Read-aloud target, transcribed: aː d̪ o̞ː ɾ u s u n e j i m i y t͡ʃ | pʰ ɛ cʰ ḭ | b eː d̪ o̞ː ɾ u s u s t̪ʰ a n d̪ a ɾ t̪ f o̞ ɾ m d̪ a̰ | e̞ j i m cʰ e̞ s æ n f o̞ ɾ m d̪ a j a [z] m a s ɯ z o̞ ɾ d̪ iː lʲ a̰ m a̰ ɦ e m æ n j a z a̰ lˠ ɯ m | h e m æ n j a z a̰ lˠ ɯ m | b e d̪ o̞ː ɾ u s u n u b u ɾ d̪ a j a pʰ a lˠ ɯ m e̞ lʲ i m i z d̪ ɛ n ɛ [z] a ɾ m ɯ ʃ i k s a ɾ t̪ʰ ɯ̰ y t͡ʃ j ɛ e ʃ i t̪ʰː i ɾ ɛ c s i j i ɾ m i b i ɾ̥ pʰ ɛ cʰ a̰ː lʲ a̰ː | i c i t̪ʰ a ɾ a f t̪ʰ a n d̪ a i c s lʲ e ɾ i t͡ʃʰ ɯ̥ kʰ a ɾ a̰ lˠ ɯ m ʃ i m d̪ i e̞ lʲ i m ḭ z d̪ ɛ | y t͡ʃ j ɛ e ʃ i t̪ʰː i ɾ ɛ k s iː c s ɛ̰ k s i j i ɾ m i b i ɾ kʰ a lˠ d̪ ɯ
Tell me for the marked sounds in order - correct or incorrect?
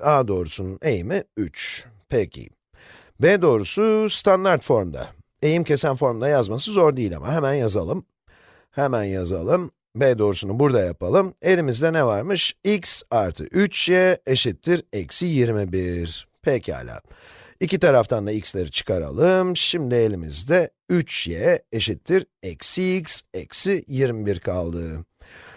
correct, incorrect

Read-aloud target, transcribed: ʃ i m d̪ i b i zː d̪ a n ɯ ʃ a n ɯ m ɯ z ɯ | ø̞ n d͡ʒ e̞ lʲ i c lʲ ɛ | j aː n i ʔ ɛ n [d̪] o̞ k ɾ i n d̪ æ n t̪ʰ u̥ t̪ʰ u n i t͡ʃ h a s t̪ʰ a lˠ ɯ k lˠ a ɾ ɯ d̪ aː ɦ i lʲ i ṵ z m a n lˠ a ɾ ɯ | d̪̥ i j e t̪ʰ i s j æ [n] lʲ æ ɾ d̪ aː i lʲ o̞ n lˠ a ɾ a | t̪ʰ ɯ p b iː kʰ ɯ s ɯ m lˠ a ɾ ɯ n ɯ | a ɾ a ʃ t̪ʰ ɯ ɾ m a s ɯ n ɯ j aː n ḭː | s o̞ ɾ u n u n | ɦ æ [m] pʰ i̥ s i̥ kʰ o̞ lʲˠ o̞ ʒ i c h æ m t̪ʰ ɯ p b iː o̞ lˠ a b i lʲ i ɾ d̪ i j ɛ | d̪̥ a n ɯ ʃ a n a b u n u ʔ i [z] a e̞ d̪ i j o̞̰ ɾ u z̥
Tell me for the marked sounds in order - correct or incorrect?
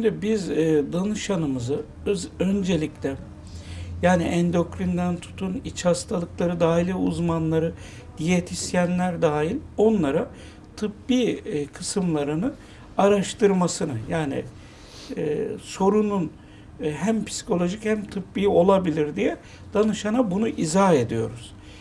correct, correct, correct, correct

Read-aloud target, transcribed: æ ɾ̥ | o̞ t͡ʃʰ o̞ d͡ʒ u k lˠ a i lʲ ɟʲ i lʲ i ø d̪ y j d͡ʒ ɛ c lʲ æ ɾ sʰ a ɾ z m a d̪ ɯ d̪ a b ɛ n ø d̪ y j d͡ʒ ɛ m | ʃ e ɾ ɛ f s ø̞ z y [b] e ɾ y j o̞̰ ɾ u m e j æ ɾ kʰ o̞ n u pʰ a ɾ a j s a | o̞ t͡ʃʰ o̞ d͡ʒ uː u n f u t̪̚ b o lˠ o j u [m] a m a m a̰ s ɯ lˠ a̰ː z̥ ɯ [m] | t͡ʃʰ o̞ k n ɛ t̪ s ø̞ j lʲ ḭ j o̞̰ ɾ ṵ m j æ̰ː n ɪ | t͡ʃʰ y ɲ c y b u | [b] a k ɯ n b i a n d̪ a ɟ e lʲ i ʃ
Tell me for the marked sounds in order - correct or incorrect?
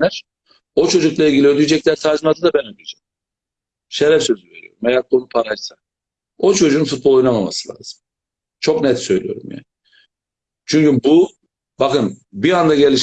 incorrect, incorrect, correct, correct

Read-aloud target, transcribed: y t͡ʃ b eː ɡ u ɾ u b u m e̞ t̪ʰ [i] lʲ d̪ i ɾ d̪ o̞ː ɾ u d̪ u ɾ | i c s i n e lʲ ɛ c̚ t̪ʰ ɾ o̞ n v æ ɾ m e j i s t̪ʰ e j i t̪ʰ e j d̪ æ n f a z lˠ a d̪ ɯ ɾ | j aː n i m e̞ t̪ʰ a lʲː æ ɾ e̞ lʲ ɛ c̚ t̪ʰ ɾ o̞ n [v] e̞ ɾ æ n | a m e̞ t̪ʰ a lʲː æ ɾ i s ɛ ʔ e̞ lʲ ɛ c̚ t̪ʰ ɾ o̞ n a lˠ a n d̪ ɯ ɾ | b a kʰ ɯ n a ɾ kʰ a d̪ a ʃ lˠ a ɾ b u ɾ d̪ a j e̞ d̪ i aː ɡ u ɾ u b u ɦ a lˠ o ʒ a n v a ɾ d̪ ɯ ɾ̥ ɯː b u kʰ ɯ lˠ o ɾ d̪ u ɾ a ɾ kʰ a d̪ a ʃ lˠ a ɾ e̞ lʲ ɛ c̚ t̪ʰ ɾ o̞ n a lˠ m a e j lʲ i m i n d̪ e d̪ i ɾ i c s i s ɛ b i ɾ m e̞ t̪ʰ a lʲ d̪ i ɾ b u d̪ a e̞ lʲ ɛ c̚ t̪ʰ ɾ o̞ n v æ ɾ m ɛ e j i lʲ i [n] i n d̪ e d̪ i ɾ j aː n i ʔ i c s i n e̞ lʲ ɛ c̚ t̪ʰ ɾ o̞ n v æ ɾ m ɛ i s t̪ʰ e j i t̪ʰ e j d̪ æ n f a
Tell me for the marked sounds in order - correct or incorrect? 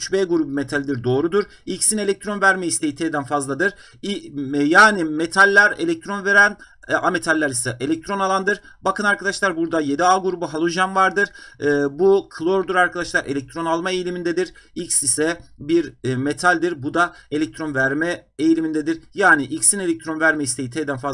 incorrect, correct, incorrect

